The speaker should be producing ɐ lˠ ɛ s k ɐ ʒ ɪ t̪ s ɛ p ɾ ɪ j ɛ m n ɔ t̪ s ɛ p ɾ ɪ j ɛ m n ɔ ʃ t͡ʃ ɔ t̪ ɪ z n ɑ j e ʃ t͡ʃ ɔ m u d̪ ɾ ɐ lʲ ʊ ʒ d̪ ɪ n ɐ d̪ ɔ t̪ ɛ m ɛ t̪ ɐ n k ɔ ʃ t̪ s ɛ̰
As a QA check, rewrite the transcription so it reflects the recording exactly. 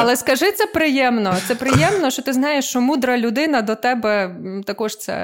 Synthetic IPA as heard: ɐ lˠ ɛ s k ɐ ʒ ɪ t̪ s ɛ p ɾ ɪ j ɛ m n ɔ t̪ s ɛ p ɾ ɪ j ɛ m n ɔ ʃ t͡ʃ ɔ t̪ ɪ z n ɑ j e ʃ t͡ʃ ɔ m u d̪ ɾ ɐ lʲ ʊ d̪ ɪ n ɐ d̪ ɔ t̪ ɛ b ɛ t̪ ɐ k ɔ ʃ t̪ s ɛ̰